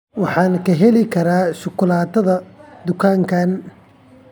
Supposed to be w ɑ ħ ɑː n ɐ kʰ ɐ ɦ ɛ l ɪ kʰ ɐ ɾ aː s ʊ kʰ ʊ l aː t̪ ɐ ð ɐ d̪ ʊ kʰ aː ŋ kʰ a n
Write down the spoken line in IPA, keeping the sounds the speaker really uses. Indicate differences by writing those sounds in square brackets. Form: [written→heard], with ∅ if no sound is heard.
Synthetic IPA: w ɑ ħ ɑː n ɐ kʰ ɐ ɦ ɛ l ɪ kʰ ɐ ɾ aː [s→ʃ] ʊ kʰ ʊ l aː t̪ ɐ ð ɐ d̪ ʊ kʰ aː ŋ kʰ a n